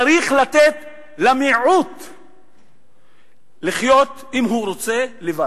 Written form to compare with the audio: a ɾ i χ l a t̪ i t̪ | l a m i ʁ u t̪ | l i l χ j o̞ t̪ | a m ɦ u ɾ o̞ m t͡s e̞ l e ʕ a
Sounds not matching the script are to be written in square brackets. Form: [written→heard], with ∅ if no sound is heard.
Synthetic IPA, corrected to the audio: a ɾ i χ l a t̪ [i→e] t̪ | l a m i [ʁ→ʕ] u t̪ | l i [l→∅] χ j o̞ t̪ | [a→i] m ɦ u ɾ o̞ [m→∅] t͡s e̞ l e [ʕ→v] a